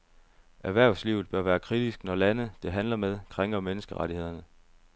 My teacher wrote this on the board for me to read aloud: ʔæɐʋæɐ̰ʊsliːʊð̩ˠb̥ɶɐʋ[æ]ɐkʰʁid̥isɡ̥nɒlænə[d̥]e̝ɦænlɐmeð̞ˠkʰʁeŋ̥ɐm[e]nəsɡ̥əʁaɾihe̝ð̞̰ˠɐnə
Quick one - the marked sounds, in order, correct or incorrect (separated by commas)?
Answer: incorrect, correct, correct